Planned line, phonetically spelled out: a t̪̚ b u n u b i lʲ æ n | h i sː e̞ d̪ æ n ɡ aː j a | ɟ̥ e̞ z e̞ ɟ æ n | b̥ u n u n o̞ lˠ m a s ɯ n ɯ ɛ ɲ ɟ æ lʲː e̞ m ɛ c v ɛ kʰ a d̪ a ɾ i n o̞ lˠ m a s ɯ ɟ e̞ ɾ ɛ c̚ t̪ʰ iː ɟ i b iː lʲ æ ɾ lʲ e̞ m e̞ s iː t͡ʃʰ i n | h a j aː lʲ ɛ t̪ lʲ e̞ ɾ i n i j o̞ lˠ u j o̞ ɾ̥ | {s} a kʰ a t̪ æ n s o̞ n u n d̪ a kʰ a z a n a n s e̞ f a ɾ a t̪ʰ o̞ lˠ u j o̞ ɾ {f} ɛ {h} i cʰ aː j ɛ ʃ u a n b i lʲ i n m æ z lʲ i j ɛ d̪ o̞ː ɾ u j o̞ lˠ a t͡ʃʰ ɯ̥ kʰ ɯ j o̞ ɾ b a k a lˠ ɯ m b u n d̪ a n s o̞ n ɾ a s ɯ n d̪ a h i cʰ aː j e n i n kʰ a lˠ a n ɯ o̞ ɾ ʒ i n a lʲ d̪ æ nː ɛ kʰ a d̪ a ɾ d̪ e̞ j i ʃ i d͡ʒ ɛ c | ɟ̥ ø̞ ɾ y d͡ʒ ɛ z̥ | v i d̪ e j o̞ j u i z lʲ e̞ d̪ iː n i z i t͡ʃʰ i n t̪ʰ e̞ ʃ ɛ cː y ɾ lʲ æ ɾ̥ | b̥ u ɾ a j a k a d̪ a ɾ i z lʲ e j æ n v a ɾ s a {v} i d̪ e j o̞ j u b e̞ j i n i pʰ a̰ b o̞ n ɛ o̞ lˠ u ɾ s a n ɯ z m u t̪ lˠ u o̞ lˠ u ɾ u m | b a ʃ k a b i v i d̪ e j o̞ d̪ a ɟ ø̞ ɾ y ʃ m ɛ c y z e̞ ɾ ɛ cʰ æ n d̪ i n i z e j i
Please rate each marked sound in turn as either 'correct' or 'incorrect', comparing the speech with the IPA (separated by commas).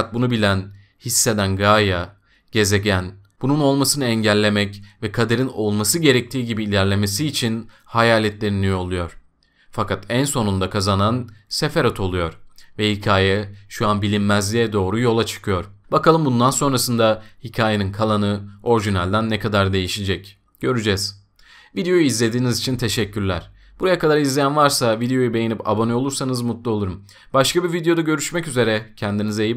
incorrect, incorrect, correct, correct